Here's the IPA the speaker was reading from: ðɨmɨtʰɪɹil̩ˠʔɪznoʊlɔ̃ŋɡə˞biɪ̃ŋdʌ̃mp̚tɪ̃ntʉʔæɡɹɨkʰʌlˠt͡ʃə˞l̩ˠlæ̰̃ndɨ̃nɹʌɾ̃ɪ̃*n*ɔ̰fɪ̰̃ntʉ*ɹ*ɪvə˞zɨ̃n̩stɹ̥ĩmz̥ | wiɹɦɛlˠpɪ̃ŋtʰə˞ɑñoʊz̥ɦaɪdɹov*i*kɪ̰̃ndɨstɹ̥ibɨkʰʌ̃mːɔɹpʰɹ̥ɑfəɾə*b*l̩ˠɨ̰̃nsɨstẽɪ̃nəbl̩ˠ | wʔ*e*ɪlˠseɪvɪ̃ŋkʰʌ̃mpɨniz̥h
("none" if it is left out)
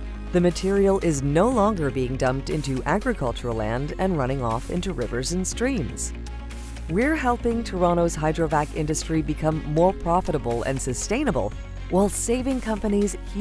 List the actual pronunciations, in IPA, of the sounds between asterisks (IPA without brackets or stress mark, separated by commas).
ŋ, ɹ, æ, b, a